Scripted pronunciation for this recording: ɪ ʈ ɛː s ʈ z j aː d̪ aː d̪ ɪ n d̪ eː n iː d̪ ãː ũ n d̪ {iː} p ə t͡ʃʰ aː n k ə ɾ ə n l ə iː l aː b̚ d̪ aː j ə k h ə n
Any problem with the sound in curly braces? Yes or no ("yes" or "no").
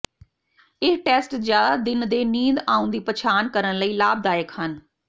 no